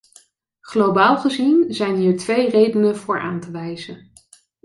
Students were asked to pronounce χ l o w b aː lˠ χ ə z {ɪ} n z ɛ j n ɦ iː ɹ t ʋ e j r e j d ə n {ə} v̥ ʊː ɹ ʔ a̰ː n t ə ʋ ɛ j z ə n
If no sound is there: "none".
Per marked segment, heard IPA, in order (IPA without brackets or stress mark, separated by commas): i, ə